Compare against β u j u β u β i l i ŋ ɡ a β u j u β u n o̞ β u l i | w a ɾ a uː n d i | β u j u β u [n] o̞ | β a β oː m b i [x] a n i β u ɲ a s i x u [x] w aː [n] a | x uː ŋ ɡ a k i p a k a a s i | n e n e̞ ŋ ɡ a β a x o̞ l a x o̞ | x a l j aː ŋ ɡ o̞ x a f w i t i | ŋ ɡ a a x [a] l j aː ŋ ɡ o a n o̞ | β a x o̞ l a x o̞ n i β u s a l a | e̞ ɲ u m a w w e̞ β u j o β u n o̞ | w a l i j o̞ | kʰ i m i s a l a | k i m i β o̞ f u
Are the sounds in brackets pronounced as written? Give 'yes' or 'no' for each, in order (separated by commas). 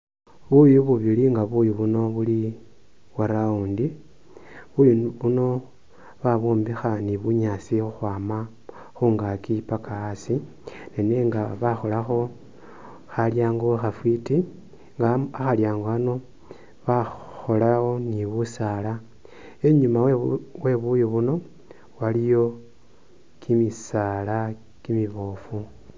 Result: yes, yes, yes, no, yes